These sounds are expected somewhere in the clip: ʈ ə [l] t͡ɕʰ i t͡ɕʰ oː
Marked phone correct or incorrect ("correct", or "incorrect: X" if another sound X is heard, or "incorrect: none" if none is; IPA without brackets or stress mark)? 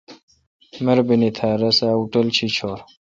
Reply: correct